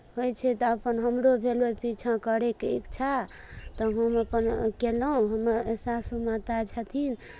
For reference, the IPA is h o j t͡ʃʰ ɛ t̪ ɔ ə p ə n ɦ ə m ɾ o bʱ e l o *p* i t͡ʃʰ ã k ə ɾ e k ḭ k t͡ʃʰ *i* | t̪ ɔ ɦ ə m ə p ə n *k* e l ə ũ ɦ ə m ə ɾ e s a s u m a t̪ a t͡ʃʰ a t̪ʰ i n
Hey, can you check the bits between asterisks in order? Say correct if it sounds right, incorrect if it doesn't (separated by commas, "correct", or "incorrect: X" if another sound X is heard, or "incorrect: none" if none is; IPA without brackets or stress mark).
correct, incorrect: a, correct